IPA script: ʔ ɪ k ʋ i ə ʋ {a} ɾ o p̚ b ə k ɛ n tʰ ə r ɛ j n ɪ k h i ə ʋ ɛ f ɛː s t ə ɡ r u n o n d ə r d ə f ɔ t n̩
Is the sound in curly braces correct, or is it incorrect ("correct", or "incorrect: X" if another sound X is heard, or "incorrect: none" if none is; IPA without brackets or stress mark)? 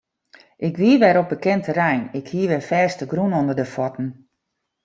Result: incorrect: ɛ